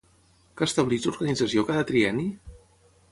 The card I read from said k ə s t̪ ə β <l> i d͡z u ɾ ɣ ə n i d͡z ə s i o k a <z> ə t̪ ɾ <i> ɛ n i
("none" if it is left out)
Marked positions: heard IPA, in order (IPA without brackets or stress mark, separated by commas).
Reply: l, ð, i